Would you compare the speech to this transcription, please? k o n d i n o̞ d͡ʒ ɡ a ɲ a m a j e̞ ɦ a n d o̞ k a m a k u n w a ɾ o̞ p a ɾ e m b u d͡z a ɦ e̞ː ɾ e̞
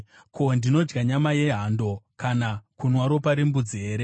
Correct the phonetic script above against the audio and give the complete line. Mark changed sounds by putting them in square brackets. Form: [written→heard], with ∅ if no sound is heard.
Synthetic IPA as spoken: k o n d i n o̞ d͡ʒ ɡ a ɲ a m a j e̞ ɦ a n d o̞ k a [m→n] a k u n w a ɾ o̞ p a ɾ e m b u d͡z [a→i] ɦ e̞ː ɾ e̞